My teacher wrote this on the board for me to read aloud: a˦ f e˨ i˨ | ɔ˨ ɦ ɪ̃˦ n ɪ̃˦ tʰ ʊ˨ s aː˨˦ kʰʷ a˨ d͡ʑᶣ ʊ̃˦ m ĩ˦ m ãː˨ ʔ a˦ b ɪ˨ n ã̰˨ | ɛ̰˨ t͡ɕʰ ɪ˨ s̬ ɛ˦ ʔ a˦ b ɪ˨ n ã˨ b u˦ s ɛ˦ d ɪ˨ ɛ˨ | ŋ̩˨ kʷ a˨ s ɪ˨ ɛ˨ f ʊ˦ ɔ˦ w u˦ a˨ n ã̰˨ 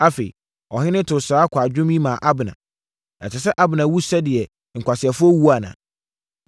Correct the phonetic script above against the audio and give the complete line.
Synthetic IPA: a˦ f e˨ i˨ | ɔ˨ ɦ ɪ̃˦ n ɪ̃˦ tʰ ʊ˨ s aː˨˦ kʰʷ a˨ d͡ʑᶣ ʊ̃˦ m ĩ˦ m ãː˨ ʔ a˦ b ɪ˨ n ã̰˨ | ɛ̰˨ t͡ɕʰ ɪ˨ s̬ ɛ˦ ʔ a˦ b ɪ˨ n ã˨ w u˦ s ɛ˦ d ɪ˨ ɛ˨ | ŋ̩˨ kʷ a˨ s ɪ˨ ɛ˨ f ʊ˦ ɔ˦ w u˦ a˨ n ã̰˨